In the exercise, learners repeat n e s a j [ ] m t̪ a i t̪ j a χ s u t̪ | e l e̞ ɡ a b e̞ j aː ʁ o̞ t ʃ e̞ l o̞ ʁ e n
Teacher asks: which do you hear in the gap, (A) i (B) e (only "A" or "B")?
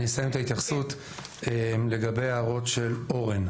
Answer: B